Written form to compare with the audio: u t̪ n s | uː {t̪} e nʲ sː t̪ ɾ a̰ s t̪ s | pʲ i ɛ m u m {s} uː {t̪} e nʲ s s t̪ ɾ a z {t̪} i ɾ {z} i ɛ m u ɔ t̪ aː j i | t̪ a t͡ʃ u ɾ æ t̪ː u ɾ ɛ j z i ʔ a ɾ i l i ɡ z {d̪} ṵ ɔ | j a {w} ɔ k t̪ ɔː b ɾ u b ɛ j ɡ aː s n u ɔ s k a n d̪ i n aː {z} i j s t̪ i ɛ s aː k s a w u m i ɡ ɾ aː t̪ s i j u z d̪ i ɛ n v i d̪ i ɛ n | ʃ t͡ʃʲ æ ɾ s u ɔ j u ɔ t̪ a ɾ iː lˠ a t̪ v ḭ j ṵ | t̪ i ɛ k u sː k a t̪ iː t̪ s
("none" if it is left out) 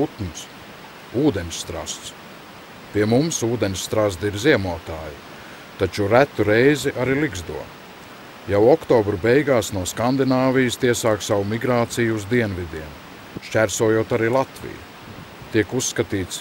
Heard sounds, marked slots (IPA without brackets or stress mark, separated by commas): d̪, s, d̪, d̪, z, d̪, w, v